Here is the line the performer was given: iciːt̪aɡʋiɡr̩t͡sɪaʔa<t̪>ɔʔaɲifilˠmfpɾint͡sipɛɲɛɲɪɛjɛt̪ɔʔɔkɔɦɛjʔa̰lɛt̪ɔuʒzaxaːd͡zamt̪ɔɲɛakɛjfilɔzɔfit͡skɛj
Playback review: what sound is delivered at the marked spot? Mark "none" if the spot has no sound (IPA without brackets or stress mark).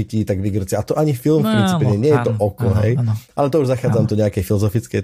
t̪